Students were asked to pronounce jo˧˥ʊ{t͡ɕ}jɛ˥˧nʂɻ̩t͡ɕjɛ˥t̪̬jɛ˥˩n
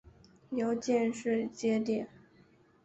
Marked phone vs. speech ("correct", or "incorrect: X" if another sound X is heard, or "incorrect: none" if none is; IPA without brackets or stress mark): correct